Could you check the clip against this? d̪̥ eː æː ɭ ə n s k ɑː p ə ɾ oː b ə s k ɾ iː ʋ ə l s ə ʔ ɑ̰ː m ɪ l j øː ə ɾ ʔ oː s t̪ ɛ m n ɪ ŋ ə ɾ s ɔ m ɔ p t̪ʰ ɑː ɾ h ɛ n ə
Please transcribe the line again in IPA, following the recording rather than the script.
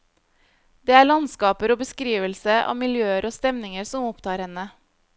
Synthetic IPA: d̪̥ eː æː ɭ ɑ n s k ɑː p ə ɾ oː b ə s k ɾ iː ʋ ə l s ə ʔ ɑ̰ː m ɪ l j øː ə ɾ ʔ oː s t̪ ɛ m n ɪ ŋ ə ɾ s ɔ m ɔ p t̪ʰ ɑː ɾ h ɛ n ə